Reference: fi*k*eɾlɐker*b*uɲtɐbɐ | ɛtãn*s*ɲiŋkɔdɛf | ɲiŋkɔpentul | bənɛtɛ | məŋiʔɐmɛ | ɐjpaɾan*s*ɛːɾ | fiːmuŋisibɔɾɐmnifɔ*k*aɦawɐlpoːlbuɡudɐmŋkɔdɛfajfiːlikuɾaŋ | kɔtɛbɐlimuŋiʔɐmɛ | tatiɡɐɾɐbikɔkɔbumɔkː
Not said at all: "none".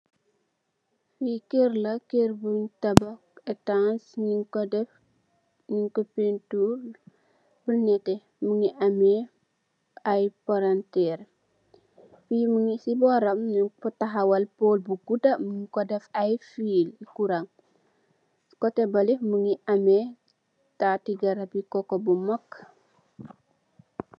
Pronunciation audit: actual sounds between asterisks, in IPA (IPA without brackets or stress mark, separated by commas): k, b, s, t, t